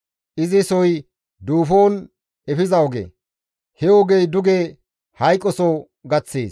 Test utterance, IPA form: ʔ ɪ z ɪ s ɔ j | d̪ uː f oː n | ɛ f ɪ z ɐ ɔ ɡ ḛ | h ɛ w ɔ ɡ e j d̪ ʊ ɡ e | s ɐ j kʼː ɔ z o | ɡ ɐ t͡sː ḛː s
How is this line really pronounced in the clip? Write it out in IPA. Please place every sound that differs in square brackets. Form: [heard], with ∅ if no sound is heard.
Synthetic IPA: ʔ ɪ z ɪ s ɔ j | d̪ uː f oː n | ɛ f ɪ z ɐ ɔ ɡ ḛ | h ɛ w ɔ ɡ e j d̪ ʊ ɡ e | [h] ɐ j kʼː ɔ [s] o | ɡ ɐ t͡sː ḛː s

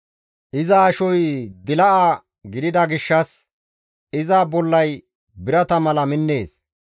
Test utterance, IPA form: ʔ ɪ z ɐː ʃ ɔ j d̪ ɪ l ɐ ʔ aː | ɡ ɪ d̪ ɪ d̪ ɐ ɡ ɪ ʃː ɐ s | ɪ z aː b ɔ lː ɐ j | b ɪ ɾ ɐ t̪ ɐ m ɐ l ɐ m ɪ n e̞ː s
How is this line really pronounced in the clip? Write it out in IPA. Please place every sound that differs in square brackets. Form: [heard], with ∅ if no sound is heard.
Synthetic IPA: ʔ ɪ z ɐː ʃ ɔ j d̪ ɪ l ɐ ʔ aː | ɡ ɪ d̪ ɪ d̪ ɐ ɡ ɪ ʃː ɐ s | ɪ z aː b ɔ lː ɐ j | b ɪ ɾ ɐ t̪ ɐ m ɐ l ɐ m ɪ [nː] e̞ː s

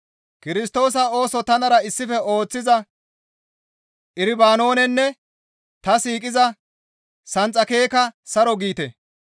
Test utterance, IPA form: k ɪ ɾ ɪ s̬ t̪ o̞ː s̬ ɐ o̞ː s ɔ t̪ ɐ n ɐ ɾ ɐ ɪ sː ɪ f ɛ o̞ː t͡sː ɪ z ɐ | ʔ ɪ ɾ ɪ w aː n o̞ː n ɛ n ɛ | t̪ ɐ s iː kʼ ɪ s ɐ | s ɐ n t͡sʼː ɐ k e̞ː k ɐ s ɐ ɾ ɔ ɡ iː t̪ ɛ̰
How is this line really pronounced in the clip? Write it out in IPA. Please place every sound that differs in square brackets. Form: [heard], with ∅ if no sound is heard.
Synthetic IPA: k ɪ ɾ ɪ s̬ t̪ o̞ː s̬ ɐ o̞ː s ɔ t̪ ɐ n ɐ ɾ ɐ ɪ sː ɪ f ɛ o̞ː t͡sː ɪ z ɐ | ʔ ɪ ɾ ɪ [b] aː n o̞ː n ɛ [nː] ɛ | t̪ ɐ s iː kʼ ɪ [z] ɐ | s ɐ n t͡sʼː ɐ k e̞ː k ɐ s ɐ ɾ ɔ ɡ iː t̪ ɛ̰

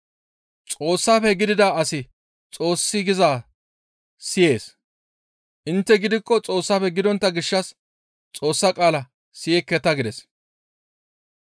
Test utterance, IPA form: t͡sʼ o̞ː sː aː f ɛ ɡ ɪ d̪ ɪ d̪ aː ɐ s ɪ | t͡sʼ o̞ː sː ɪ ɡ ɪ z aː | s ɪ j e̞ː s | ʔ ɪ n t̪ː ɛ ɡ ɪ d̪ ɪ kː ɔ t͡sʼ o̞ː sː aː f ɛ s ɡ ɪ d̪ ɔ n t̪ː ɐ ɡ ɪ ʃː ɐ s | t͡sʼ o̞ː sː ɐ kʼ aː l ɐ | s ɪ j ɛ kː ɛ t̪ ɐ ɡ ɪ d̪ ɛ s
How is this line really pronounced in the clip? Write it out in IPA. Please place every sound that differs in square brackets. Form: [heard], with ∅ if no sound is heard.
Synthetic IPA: t͡sʼ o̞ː sː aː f ɛ ɡ ɪ d̪ ɪ d̪ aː ɐ s ɪ | t͡sʼ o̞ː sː ɪ ɡ ɪ z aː | s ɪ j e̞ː s | ʔ ɪ n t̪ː ɛ ɡ ɪ d̪ ɪ kː ɔ t͡sʼ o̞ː sː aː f ɛ [∅] ɡ ɪ d̪ ɔ n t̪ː ɐ ɡ ɪ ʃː ɐ s | t͡sʼ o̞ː sː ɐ kʼ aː l ɐ | s ɪ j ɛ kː ɛ t̪ ɐ ɡ ɪ d̪ ɛ s

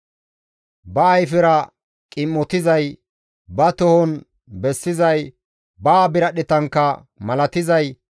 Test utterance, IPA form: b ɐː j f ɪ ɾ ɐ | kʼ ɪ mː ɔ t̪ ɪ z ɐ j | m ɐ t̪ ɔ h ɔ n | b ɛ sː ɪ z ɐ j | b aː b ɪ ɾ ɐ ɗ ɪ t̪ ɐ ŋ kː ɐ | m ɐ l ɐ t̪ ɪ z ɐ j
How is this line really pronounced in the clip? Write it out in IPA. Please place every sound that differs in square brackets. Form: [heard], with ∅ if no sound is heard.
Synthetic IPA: b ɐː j f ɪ ɾ ɐ | kʼ ɪ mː ɔ t̪ ɪ z ɐ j | [b] ɐ t̪ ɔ h ɔ n | b ɛ sː ɪ z ɐ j | b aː b ɪ ɾ ɐ ɗ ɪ t̪ ɐ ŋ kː ɐ | m ɐ l ɐ t̪ ɪ z ɐ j

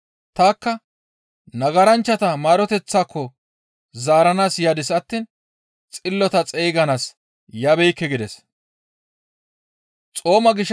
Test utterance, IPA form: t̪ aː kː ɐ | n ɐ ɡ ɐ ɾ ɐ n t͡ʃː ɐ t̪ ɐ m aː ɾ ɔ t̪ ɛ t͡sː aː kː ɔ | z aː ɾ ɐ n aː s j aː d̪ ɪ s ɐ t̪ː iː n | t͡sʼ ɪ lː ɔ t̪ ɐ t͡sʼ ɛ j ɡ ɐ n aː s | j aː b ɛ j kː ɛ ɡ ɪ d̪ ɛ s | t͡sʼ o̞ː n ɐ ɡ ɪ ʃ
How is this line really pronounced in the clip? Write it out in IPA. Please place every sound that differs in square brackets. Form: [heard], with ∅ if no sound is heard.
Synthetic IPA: t̪ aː kː ɐ | n ɐ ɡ ɐ ɾ ɐ n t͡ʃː ɐ t̪ ɐ m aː ɾ ɔ t̪ ɛ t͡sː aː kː ɔ | z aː ɾ ɐ n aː s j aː d̪ ɪ s ɐ t̪ː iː n | t͡sʼ ɪ lː ɔ t̪ ɐ t͡sʼ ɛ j ɡ ɐ n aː s | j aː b ɛ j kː ɛ ɡ ɪ d̪ ɛ s | t͡sʼ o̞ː [m] ɐ ɡ ɪ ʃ

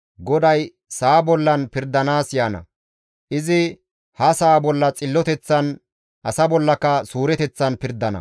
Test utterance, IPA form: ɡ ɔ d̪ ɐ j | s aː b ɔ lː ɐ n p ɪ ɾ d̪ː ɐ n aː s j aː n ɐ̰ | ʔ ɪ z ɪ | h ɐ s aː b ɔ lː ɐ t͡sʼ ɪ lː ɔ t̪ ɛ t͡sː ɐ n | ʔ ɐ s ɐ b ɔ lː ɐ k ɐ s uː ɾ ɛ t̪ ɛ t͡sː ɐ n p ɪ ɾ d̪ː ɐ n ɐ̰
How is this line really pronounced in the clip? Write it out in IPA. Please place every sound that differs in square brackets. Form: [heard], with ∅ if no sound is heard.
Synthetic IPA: ɡ ɔ d̪ ɐ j | s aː b ɔ lː ɐ n p ɪ ɾ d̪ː ɐ n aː s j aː n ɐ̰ | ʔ ɪ z ɪ | h ɐ s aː b ɔ lː ɐ t͡sʼ ɪ lː ɔ t̪ ɛ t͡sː ɐ n | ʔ ɐ s ɐ b ɔ lː ɐ k ɐ s uː ɾ ɛ t̪ ɛ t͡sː ɐ n p ɪ ɾ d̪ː ɐ n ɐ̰

